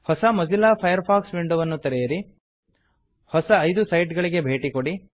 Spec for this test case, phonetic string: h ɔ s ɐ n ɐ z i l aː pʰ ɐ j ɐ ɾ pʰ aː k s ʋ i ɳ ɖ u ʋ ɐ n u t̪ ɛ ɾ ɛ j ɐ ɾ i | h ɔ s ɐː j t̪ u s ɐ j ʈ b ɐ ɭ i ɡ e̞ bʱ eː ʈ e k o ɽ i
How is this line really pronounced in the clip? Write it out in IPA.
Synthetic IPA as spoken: h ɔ s ɐ m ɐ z i l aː pʰ ɐ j ɐ ɾ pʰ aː k s ʋ i ɳ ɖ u ʋ ɐ nː u t̪ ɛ ɾ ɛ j ɐ ɾ i | h ɔ s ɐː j d̪ u s ɐ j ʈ ɡ ɐ ɭ i ɡ e̞ bʱ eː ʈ i k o ɽ i